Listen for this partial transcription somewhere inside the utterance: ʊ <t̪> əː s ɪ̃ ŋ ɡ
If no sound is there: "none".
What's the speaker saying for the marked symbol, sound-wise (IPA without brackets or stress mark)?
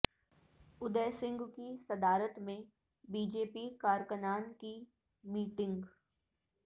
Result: d̪